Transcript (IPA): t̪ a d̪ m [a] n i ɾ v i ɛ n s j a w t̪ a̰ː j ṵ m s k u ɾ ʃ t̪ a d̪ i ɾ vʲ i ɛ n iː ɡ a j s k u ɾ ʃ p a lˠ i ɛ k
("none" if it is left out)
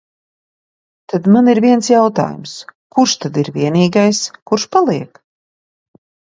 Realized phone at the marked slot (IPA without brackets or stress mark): a